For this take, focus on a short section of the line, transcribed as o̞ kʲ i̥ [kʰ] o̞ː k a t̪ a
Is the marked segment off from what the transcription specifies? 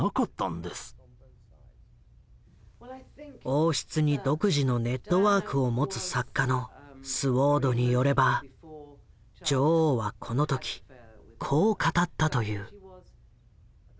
no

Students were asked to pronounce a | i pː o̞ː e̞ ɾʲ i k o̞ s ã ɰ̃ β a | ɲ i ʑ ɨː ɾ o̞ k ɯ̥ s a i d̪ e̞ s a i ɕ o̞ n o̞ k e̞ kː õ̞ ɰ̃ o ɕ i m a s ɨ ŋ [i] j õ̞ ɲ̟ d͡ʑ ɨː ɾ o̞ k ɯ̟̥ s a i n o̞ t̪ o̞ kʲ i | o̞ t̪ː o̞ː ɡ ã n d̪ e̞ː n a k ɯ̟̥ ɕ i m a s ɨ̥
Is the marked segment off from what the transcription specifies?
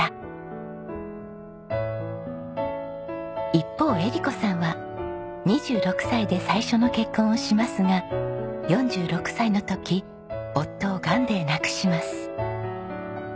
yes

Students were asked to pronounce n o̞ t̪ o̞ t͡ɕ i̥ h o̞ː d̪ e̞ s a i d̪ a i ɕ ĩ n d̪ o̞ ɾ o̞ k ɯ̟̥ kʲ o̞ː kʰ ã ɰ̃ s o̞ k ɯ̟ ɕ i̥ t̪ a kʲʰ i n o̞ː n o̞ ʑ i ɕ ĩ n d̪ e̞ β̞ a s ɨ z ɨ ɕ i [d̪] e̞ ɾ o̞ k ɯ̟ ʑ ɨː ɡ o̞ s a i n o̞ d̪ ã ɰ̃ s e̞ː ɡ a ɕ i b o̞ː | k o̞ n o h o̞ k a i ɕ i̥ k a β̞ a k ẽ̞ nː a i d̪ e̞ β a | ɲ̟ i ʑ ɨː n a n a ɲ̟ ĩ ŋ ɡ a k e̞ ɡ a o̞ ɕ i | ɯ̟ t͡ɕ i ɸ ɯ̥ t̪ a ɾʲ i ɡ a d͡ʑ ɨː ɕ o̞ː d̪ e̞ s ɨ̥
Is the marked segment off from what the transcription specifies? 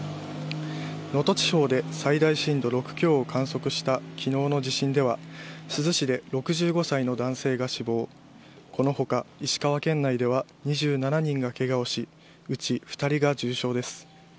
no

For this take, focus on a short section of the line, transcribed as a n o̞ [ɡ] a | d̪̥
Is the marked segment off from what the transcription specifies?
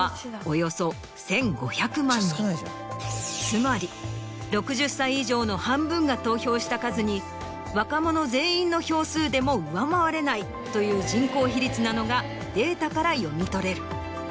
no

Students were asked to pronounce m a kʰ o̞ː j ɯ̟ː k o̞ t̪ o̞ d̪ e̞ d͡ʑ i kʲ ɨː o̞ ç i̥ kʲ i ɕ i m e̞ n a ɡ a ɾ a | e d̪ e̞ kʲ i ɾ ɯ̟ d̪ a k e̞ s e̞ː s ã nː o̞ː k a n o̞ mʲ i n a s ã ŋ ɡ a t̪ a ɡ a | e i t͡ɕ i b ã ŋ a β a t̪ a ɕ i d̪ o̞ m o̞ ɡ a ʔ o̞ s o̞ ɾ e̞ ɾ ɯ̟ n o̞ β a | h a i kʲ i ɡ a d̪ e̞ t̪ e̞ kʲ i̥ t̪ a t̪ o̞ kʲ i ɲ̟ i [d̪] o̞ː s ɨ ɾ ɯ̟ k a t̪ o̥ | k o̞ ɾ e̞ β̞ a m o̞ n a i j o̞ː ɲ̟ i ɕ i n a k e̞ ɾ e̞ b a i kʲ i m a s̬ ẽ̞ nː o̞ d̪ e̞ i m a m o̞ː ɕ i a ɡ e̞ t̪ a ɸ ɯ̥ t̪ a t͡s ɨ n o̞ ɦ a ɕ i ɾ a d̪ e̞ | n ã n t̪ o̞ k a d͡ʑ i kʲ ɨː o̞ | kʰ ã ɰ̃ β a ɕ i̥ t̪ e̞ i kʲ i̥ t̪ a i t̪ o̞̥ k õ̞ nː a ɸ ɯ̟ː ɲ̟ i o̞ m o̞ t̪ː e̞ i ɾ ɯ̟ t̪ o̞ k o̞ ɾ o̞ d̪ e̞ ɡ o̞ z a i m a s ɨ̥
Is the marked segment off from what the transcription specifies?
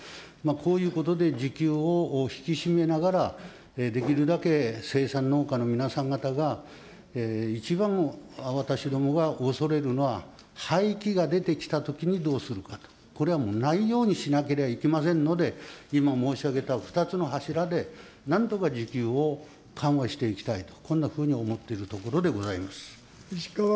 no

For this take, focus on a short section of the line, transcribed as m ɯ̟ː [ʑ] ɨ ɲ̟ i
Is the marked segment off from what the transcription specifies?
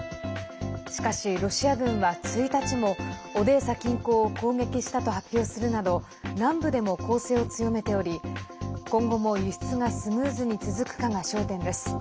yes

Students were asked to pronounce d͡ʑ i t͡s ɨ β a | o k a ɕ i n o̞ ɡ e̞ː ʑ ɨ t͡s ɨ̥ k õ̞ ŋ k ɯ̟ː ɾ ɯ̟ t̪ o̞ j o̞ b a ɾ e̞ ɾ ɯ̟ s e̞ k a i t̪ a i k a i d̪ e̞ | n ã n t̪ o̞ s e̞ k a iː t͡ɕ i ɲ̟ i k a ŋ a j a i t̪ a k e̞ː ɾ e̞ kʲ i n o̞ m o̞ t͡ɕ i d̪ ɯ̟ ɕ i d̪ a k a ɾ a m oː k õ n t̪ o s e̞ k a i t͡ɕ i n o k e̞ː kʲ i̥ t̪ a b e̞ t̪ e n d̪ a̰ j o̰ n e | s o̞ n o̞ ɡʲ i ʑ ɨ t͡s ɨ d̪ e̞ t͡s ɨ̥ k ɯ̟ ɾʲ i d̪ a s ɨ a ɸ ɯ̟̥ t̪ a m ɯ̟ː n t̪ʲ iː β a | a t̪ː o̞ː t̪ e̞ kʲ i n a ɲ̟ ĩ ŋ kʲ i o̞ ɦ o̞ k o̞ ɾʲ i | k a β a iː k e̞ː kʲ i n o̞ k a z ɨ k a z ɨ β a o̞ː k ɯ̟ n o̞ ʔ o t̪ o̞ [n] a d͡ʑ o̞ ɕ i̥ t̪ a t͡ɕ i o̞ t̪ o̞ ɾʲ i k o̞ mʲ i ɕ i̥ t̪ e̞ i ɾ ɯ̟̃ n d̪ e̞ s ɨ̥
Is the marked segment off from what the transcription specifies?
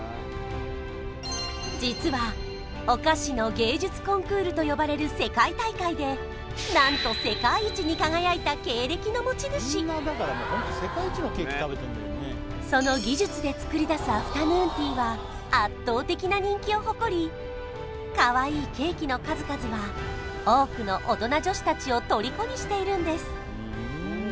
no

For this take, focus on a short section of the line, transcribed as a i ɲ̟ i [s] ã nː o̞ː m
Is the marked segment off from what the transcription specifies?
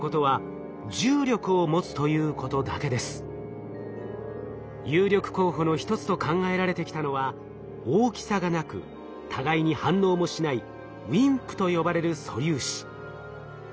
yes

